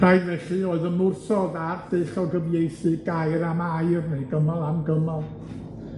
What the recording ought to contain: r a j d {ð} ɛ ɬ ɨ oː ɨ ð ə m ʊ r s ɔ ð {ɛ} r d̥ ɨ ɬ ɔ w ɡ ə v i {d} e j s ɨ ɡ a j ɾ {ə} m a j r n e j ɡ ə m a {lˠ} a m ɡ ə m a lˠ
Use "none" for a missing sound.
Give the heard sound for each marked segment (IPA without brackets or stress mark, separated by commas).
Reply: v, a, none, a, lˠ